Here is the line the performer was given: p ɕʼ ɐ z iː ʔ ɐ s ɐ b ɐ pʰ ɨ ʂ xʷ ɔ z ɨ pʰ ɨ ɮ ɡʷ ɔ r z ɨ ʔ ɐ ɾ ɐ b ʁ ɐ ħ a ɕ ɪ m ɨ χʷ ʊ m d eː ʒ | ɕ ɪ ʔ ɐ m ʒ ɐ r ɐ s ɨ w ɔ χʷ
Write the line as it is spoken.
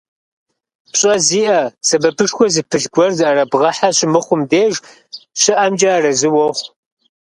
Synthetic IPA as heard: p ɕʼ ɐ z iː ʔ ɐ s ɐ b ɐ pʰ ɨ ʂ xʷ ɔ z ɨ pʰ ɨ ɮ ɡʷ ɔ r z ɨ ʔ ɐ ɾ ɐ b ʁ ɐ ħ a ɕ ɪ m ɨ χʷ ʊ m d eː ʒ | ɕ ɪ ʔ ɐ m d͡ʒ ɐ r ɐ z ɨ w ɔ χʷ